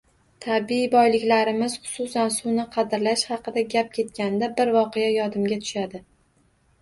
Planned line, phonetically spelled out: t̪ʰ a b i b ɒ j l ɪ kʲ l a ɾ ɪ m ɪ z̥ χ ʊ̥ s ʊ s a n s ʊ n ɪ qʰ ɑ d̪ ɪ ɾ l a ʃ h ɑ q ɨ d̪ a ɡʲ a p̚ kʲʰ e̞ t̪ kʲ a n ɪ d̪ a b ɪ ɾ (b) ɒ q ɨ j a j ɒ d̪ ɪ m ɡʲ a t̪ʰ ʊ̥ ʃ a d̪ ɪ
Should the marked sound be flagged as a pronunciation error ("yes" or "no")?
yes